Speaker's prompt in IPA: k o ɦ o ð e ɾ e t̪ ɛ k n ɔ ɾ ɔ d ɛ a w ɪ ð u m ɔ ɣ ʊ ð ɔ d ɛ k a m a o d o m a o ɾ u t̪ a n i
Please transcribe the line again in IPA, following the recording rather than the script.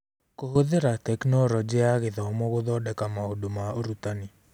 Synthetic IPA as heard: k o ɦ o ð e ɾ a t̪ ɛ k n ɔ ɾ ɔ d͡ʒ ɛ a ɣ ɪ ð ɔ m ɔ ɣ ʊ ð ɔ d ɛ k a m a o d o m a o ɾ u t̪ a n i